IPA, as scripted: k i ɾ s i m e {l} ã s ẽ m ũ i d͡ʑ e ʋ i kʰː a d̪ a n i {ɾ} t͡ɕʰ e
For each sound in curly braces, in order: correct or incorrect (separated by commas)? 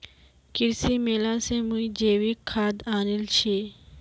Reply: correct, incorrect